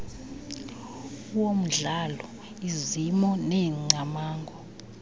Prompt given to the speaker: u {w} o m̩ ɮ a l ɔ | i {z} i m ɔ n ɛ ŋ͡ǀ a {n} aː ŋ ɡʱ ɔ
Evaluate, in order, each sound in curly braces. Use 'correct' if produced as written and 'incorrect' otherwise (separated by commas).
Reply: correct, correct, incorrect